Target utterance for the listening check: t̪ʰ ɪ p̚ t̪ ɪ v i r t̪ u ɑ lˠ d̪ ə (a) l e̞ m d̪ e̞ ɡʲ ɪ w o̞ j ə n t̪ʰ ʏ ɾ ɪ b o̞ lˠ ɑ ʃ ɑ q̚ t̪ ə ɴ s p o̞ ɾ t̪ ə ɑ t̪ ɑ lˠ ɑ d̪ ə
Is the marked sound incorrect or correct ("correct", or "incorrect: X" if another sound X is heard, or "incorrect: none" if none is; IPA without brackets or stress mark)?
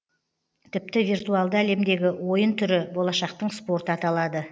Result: incorrect: æ